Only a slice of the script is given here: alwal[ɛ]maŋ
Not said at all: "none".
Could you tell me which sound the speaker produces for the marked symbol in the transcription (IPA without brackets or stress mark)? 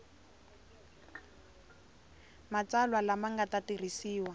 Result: a